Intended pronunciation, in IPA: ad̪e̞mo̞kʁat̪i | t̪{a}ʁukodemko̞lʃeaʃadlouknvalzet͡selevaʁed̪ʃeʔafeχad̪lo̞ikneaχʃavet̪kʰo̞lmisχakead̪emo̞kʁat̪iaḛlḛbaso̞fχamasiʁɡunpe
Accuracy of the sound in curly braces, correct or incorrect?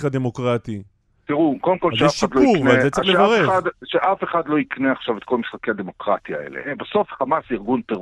incorrect